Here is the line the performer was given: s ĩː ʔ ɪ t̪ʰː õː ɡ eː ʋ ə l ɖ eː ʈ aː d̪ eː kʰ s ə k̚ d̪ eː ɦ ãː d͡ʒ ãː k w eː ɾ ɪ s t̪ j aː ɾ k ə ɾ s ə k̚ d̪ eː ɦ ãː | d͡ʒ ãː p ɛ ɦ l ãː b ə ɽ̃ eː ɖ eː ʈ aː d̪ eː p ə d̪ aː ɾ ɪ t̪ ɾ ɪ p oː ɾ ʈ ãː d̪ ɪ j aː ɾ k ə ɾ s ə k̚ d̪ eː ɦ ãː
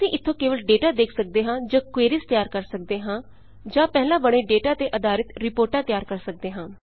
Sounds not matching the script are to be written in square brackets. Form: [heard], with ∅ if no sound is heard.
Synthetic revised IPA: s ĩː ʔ ɪ t̪ʰː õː [k] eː ʋ ə l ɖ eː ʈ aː d̪ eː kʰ s ə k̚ d̪ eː ɦ ãː d͡ʒ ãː k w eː ɾ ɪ s t̪ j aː ɾ k ə ɾ s ə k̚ d̪ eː ɦ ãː | d͡ʒ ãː p ɛ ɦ l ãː b ə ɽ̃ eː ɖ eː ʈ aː [t̪] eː [ʔ] ə d̪ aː ɾ ɪ t̪ ɾ ɪ p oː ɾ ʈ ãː [t̪] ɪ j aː ɾ k ə ɾ s ə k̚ d̪ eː ɦ ãː